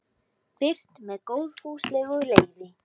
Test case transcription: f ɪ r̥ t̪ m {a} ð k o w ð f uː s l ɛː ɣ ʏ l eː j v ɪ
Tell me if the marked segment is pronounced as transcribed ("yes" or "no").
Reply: no